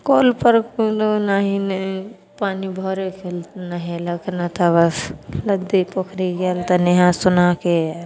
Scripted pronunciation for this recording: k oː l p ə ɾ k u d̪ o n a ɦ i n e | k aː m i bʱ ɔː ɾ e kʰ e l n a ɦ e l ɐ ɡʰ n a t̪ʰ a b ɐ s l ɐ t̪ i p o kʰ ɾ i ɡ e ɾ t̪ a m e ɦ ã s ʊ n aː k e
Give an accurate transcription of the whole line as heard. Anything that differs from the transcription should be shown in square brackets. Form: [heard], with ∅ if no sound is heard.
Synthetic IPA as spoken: k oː l p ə ɾ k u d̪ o n a ɦ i n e | [p] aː [n] i bʱ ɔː ɾ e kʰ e l n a ɦ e l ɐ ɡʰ n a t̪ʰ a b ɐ s l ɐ [d̪] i p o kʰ ɾ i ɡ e [l] t̪ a [n] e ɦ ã s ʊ n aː k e